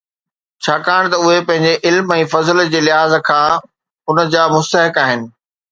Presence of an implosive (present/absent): absent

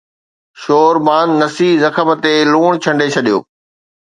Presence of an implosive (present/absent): present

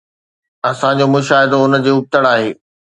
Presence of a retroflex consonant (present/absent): present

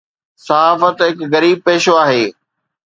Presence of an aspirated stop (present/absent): absent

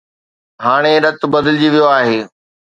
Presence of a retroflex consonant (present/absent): present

